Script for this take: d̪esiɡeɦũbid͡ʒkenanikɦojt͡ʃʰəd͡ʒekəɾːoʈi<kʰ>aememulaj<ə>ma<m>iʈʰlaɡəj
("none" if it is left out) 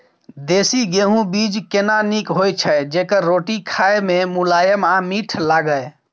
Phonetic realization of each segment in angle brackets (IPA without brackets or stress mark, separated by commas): kʰ, ə, m